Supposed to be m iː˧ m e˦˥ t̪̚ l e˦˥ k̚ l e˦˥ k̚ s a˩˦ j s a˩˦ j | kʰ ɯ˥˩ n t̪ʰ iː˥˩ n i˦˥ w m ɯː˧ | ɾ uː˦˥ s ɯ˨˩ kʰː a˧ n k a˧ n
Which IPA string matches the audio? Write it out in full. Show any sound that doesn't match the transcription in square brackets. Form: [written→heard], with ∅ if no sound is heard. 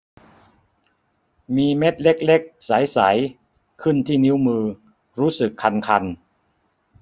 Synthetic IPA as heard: m iː˧ m e˦˥ t̪̚ l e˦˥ k̚ l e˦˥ k̚ s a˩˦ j s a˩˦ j | kʰ ɯ˥˩ n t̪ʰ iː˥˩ n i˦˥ w m ɯː˧ | ɾ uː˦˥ s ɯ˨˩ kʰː a˧ n [k→kʰ] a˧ n